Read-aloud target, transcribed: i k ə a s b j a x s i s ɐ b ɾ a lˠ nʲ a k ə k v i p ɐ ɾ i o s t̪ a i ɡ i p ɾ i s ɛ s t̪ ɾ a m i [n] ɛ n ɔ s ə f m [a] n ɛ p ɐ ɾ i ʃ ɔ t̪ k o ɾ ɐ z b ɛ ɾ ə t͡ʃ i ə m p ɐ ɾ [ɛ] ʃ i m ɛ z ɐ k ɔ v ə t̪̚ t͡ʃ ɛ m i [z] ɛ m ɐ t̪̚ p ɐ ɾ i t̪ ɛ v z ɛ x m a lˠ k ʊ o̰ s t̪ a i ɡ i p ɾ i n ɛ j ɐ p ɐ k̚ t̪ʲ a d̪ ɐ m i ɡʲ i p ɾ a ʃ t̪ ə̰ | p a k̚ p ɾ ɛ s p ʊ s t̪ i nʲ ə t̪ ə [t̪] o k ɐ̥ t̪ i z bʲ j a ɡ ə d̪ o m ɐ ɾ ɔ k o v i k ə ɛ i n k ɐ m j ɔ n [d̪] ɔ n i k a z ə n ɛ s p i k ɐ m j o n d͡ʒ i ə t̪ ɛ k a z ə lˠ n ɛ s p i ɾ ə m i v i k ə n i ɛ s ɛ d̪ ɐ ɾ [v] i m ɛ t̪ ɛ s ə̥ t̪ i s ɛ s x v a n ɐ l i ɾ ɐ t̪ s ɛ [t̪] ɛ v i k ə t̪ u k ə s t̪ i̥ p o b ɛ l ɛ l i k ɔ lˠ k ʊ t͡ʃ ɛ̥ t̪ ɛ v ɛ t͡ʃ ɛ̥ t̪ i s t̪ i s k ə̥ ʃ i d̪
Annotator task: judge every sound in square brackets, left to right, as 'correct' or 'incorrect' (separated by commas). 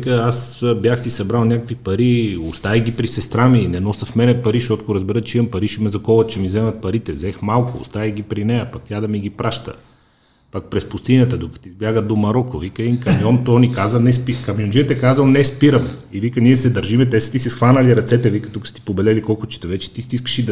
correct, incorrect, incorrect, correct, incorrect, incorrect, incorrect, correct